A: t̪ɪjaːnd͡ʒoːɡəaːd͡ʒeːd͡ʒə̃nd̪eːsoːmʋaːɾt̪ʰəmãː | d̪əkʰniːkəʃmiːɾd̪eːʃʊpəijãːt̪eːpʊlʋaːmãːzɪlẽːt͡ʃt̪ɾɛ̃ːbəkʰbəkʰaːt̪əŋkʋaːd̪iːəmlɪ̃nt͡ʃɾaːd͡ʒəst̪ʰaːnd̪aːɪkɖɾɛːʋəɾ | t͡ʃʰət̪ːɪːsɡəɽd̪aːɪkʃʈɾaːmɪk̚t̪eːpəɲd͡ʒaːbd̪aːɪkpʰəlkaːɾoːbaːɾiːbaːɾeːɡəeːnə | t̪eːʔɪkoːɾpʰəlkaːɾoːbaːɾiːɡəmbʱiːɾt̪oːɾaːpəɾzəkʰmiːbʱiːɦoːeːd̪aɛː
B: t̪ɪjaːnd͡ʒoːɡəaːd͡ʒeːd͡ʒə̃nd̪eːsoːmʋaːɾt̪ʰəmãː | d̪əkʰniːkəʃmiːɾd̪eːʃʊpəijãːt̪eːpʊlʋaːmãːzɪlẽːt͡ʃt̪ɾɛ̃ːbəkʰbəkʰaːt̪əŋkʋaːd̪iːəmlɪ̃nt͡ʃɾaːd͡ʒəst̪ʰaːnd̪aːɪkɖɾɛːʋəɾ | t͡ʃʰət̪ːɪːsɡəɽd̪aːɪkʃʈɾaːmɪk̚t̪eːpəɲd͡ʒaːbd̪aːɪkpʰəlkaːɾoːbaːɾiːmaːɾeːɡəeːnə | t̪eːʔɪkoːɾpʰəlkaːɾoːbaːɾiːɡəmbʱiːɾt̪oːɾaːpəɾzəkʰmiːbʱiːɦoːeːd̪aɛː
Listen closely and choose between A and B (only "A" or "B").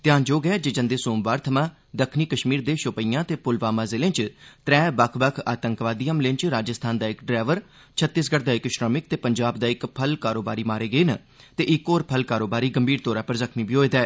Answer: B